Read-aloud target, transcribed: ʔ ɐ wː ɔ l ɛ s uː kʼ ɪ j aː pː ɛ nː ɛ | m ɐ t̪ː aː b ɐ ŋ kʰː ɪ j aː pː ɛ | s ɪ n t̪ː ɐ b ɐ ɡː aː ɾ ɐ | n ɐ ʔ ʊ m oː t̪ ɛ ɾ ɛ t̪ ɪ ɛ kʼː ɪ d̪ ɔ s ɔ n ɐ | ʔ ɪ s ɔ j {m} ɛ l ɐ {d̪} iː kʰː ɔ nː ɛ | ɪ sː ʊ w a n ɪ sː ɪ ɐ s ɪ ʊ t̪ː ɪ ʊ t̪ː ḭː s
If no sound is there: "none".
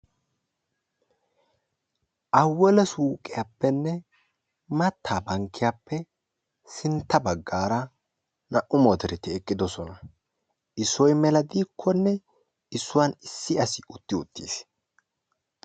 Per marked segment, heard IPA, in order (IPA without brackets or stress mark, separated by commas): m, d̪